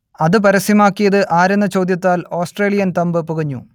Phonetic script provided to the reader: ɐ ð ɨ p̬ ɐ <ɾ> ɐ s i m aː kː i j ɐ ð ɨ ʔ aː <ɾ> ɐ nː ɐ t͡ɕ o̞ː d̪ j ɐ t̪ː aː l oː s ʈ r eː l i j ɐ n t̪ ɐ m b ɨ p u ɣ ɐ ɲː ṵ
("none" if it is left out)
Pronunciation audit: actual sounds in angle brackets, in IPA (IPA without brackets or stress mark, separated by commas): ɾ, ɾ